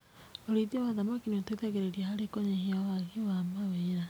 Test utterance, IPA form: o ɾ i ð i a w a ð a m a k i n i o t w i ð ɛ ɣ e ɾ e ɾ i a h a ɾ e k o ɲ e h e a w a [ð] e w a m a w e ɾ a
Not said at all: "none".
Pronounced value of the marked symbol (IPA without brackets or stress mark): ɣ